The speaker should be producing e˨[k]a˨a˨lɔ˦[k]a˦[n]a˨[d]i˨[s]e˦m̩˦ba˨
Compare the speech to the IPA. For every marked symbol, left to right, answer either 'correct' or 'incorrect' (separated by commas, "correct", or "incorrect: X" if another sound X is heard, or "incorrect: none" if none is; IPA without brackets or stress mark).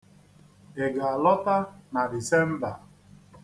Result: incorrect: ɡ, incorrect: t, correct, correct, correct